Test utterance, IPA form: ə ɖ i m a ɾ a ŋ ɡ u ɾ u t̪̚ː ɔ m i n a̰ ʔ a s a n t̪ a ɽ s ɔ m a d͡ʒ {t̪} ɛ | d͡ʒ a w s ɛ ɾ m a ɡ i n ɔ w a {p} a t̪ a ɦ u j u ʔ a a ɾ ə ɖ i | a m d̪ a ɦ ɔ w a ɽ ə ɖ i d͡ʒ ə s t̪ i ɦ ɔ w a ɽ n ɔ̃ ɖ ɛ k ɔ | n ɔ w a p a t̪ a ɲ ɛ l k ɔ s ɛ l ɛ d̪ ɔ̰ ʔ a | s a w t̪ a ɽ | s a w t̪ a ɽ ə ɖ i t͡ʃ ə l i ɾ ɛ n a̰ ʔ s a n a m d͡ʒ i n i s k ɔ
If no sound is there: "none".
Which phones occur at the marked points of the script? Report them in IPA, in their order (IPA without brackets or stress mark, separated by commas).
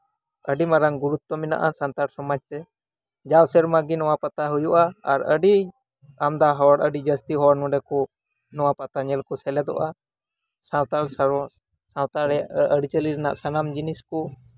t̪, p